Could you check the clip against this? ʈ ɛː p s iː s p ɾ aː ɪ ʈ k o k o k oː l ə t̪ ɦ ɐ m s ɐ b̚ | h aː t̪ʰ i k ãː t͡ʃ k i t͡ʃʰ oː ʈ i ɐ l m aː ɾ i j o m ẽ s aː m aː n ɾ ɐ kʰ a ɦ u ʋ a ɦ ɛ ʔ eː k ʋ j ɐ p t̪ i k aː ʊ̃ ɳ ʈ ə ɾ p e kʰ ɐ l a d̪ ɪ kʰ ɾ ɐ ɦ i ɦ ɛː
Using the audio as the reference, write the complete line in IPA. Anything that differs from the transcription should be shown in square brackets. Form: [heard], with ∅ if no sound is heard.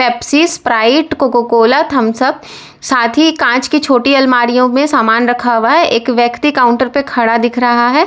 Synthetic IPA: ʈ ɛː p s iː s p ɾ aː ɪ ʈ k o k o k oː l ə t̪ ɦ ɐ m s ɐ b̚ | [s] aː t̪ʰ i k ãː t͡ʃ k i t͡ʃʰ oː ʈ i ɐ l m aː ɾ i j [õ] m ẽ s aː m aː n ɾ ɐ kʰ a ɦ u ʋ a ɦ ɛ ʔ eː k ʋ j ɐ [k] t̪ i k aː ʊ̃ ɳ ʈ ə ɾ p e kʰ ɐ [ɽ] a d̪ ɪ kʰ ɾ ɐ ɦ [a] ɦ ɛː